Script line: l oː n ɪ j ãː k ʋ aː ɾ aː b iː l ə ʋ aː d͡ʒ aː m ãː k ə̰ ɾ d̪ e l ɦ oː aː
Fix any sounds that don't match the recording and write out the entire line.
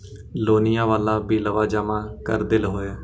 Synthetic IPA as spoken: l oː n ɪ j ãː ʋ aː l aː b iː l ə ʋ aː d͡ʒ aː m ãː k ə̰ ɾ d̪ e l ɦ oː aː